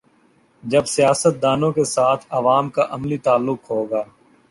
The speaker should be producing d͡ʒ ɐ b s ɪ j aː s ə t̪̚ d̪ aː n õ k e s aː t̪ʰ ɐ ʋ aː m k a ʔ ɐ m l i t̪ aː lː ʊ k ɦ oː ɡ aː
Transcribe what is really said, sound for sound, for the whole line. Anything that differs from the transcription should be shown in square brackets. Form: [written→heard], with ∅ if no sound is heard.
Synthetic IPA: d͡ʒ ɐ b s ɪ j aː s ə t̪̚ d̪ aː n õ k e s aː t̪ʰ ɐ ʋ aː m k a ʔ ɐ m l i t̪ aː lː ʊ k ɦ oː ɡ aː